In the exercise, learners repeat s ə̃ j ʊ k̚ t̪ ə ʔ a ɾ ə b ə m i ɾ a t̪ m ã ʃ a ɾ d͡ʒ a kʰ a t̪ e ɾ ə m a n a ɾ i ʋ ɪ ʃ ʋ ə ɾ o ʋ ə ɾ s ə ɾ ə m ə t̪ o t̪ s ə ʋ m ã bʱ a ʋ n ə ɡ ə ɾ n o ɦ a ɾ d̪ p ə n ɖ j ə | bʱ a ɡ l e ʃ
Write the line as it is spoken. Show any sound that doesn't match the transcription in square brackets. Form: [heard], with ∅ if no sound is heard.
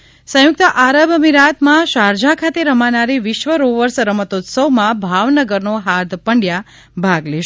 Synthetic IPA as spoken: s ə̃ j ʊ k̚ t̪ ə ʔ a ɾ ə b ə m i ɾ a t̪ m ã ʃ a ɾ d͡ʒ a kʰ a t̪ e ɾ ə m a n a ɾ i ʋ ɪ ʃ ʋ ə ɾ o ʋ ə ɾ s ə ɾ ə m ə t̪ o t̪ s ə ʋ m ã bʱ a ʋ n ə ɡ ə ɾ n o ɦ a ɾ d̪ p ə [ɳ] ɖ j [a] | bʱ a ɡ l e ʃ